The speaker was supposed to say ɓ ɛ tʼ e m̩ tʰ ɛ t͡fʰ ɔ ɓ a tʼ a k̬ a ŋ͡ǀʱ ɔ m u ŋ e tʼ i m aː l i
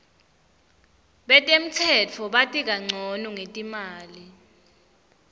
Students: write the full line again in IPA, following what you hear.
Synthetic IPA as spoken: ɓ ɛ tʼ e m̩ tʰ ɛ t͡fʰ ɔ ɓ a tʼ i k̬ a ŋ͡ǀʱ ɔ n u ŋ e tʼ i m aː l i